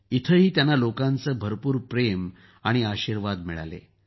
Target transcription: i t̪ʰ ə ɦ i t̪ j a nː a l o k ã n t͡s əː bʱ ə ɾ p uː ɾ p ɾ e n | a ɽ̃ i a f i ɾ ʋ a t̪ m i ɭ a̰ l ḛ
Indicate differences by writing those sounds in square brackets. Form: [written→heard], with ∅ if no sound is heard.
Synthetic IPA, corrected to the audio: i t̪ʰ ə ɦ [i→iː] t̪ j a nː a l o k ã n t͡s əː bʱ ə ɾ p uː ɾ p ɾ e [n→m] | a ɽ̃ i a [f→ɕ] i ɾ ʋ a [t̪→d̪] m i ɭ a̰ l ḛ